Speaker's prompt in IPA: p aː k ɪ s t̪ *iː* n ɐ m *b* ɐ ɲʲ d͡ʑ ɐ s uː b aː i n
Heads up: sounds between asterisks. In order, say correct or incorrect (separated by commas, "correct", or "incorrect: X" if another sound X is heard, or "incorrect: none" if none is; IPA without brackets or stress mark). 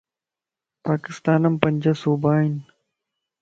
incorrect: aː, incorrect: p